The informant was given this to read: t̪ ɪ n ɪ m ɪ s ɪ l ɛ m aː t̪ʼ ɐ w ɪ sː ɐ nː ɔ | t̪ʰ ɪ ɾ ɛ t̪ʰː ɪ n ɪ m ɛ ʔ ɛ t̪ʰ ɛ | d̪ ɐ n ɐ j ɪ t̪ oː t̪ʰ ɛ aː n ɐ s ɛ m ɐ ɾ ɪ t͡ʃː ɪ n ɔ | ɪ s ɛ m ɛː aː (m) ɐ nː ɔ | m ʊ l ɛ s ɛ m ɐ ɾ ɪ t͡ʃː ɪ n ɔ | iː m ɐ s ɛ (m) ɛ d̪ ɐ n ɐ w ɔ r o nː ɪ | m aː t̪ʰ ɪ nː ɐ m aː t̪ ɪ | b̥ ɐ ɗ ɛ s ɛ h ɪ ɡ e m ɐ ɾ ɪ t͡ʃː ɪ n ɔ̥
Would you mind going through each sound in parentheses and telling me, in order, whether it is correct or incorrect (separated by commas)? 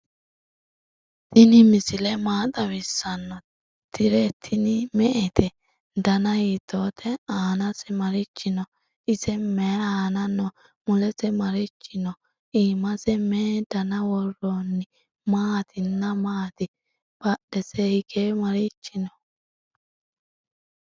incorrect, correct